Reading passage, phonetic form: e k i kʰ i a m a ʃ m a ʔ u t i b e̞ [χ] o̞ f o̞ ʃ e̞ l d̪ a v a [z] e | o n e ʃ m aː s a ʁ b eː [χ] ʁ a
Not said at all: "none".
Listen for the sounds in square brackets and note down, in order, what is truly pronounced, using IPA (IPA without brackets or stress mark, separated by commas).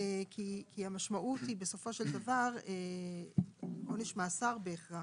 s, ʁ, χ